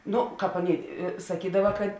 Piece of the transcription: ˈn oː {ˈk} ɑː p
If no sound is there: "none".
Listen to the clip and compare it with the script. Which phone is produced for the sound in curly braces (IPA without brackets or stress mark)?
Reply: k